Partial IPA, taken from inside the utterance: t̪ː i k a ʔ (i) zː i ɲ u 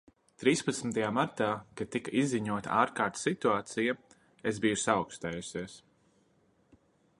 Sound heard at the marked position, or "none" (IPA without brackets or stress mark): i